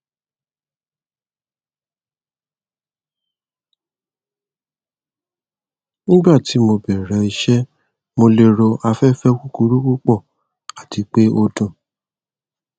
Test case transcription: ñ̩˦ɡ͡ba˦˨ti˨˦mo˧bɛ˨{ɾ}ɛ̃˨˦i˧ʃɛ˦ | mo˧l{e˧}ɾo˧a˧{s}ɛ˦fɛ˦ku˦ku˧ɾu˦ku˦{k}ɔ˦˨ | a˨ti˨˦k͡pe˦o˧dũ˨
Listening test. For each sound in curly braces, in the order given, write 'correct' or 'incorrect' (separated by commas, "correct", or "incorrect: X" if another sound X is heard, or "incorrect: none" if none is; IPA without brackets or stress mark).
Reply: correct, correct, incorrect: f, incorrect: k͡p